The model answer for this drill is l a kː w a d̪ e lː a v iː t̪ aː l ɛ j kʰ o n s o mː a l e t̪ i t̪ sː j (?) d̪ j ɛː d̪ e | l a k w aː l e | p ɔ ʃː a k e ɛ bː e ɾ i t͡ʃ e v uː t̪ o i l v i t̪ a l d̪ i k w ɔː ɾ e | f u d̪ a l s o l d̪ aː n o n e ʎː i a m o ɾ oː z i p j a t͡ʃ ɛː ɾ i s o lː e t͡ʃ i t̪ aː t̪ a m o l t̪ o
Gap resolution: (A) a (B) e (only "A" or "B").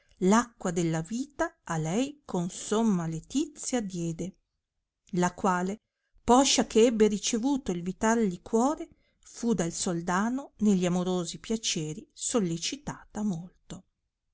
A